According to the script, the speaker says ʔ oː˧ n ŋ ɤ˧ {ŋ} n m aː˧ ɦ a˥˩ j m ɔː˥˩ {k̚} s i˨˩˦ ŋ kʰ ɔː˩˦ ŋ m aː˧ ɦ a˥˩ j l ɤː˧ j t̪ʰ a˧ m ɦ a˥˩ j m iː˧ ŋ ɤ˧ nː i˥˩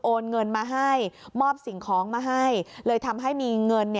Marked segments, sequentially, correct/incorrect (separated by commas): incorrect, incorrect